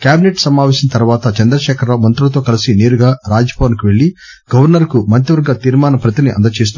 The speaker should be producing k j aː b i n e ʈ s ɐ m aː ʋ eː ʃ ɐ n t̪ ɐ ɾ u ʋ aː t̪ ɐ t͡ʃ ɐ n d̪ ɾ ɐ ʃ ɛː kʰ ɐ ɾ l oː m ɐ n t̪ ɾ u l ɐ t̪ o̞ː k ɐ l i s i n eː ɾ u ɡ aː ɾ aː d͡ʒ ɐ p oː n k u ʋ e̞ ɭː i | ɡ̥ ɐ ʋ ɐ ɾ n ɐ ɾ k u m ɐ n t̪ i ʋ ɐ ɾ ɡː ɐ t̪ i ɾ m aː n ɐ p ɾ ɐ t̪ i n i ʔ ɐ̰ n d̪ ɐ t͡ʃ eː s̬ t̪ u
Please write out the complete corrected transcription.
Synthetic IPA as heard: k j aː b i n e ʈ s ɐ m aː ʋ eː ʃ ɐ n t̪ ɐ ɾ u ʋ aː t̪ ɐ t͡ʃ ɐ n d̪ ɾ ɐ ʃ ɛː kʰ ɐ ɾ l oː m ɐ n t̪ ɾ u l ɐ t̪ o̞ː k ɐ l i s i n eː ɾ u ɡ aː ɾ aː d͡ʒ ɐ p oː n k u ʋ e̞ ɭː i | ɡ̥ ɐ ʋ ɐ ɾ n ɐ ɾ k u m ɐ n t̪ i ʋ ɐ ɾ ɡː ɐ t̪ iː ɾ m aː n ɐ p ɾ ɐ t̪ i n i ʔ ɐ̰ n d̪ ɐ t͡ʃ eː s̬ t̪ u

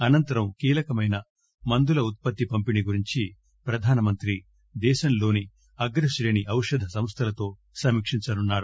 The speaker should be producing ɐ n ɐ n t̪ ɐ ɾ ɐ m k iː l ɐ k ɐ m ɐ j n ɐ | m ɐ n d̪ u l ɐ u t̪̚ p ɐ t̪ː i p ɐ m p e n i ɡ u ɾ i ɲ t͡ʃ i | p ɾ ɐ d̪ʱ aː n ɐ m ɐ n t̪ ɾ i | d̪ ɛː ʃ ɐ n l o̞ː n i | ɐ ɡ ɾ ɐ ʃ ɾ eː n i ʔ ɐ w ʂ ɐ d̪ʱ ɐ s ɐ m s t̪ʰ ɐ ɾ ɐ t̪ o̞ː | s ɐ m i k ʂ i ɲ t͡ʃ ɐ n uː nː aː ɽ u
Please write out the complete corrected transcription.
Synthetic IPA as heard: ɐ n ɐ n t̪ ɐ ɾ ɐ m k iː l ɐ k ɐ m ɐ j n ɐ | m ɐ n d̪ u l ɐ u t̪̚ p ɐ t̪ː i p ɐ m p i n i ɡ u ɾ i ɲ t͡ʃ i | p ɾ ɐ d̪ʱ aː n ɐ m ɐ n t̪ ɾ i | d̪ ɛː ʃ ɐ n l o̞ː n i | ɐ ɡ ɾ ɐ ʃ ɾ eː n i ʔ ɐ w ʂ ɐ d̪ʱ ɐ s ɐ m s t̪ʰ ɐ l ɐ t̪ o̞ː | s ɐ m i k ʂ i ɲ t͡ʃ ɐ n u nː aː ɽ u

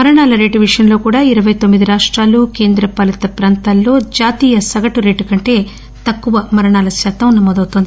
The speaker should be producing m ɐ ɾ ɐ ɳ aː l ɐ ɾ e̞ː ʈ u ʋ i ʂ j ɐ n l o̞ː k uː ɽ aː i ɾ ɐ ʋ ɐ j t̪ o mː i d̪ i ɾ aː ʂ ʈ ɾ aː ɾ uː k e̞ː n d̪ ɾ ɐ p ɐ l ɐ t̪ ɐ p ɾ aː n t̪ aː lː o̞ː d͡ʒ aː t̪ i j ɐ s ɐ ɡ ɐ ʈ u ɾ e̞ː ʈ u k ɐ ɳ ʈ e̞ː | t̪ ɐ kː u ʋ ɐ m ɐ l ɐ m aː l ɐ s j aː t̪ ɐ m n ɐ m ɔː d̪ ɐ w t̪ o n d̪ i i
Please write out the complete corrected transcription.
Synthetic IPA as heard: m ɐ ɾ ɐ ɳ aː l ɐ ɾ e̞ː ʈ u ʋ i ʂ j ɐ n l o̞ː k uː ɽ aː i ɾ ɐ ʋ ɐ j t̪ o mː i d̪ i ɾ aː ʂ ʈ ɾ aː l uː k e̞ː n d̪ ɾ ɐ p ɐ l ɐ t̪ ɐ p ɾ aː n t̪ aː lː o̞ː d͡ʒ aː t̪ iː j ɐ s ɐ ɡ ɐ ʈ u ɾ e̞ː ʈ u k ɐ ɳ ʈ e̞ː | t̪ ɐ kː u ʋ ɐ m ɐ ɾ ɐ ɳ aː l ɐ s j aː t̪ ɐ m n ɐ m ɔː d̪ ɐ w t̪ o n d̪ i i

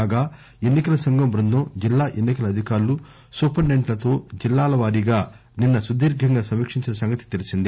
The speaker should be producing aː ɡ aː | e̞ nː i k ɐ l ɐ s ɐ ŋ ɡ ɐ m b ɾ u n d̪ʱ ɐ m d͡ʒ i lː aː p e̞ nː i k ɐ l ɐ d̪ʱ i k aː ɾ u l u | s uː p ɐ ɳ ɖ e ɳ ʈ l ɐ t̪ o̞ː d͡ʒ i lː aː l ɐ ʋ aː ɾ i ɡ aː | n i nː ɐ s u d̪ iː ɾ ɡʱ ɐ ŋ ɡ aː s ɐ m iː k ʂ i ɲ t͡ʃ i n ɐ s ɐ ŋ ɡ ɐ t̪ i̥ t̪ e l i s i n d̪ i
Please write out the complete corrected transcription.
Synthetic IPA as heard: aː ɡ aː | e̞ nː i k ɐ l ɐ s ɐ ŋ ɡ ɐ m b ɾ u n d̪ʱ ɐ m d͡ʒ i lː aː ʔ e̞ nː i k ɐ l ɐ d̪ʱ i k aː ɾ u l u | s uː p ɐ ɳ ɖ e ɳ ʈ l ɐ t̪ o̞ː d͡ʒ i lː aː l ɐ ʋ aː ɾ i ɡ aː | n i nː ɐ s u d̪ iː ɾ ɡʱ ɐ ŋ ɡ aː s ɐ m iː k ʂ i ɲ t͡ʃ i n ɐ s ɐ ŋ ɡ ɐ t̪ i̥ t̪ e l i s i n d̪ i

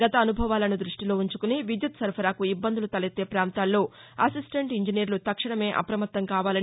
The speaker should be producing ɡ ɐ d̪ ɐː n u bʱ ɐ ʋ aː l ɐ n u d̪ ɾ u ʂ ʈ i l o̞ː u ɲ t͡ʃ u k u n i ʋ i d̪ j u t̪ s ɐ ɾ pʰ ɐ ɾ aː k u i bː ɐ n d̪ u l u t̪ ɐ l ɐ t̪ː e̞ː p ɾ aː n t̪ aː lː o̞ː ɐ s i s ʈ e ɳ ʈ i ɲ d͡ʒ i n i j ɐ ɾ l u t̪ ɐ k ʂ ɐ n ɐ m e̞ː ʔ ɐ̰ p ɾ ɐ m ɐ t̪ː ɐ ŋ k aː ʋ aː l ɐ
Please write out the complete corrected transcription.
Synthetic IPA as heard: ɡ ɐ t̪ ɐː n u bʱ ɐ ʋ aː l ɐ n u d̪ ɾ u ʂ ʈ i l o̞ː u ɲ t͡ʃ u k u n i ʋ i d̪ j u t̪ s ɐ ɾ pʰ ɐ ɾ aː k u i bː ɐ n d̪ u l u t̪ ɐ l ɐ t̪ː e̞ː p ɾ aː n t̪ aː lː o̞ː ɐ s i s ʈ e ɳ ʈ i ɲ d͡ʒ i n i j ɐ ɾ l u t̪ ɐ k ʂ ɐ ɳ ɐ m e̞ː ʔ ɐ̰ p ɾ ɐ m ɐ t̪ː ɐ ŋ k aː ʋ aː l ɐ

